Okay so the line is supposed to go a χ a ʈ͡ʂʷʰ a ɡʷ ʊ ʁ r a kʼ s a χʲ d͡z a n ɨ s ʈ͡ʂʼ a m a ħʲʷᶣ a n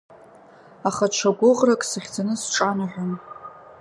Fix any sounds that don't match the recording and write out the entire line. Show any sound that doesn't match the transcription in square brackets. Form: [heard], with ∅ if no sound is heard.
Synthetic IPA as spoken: a χ a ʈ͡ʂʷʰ a ɡʷ ʊ ʁ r a kʼ s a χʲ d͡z a n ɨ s ʈ͡ʂʼ a [n] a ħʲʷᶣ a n